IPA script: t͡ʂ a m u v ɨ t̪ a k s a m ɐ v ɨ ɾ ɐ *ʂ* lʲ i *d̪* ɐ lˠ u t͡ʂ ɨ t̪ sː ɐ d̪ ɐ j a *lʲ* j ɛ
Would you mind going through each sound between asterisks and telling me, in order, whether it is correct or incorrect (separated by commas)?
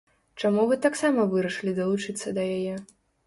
correct, correct, incorrect